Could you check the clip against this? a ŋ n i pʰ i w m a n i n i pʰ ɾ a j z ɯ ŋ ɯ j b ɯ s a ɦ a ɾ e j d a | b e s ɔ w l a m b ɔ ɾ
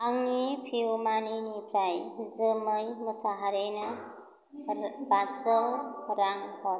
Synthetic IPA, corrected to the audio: a ŋ n i pʰ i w m a n i n i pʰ ɾ a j z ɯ m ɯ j m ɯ s a ɦ a ɾ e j n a | b a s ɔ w ɾ a ŋ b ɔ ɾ